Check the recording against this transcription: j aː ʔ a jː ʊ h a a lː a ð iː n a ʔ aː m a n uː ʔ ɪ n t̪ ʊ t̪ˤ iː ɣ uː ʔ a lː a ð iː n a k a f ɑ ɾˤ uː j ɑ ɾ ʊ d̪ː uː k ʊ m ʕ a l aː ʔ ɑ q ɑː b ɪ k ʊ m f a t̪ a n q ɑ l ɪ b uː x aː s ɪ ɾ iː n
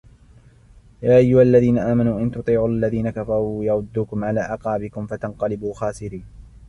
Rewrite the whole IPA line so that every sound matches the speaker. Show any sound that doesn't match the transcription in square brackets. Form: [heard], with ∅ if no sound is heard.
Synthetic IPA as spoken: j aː ʔ a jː ʊ h a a lː a ð iː n a ʔ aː m a n uː ʔ ɪ n t̪ ʊ t̪ˤ iː [ʕ] uː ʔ a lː a ð iː n a k a f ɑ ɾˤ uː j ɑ ɾ ʊ d̪ː uː k ʊ m ʕ a l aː ʔ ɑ q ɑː b ɪ k ʊ m f a t̪ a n q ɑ l ɪ b uː x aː s ɪ ɾ iː n